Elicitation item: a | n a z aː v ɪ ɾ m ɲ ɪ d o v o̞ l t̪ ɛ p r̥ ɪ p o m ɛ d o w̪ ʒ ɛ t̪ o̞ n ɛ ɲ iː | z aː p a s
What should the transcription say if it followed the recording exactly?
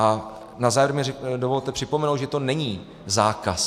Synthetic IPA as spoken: a | n a z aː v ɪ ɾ m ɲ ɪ d o v o̞ l t̪ ɛ p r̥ ɪ p o m ɛ n o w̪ ʒ ɛ t̪ o̞ n ɛ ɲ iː | z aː k a s